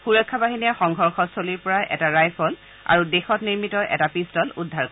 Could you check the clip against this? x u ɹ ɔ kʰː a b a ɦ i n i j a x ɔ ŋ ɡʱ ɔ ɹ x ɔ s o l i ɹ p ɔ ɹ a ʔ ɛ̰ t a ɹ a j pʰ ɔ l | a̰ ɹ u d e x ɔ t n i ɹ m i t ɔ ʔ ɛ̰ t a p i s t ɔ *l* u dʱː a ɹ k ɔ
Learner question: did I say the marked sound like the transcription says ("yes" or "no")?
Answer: yes